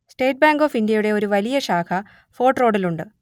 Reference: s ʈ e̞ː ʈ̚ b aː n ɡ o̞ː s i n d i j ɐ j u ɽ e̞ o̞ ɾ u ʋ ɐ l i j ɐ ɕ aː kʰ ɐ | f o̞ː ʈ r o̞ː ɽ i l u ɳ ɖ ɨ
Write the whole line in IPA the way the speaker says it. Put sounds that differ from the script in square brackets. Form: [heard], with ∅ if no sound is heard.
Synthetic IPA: s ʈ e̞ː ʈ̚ b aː [ŋ] ɡ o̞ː [f] i n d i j ɐ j u ɽ e̞ o̞ ɾ u ʋ ɐ l i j ɐ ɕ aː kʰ ɐ | f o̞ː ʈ r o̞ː ɽ i l u ɳ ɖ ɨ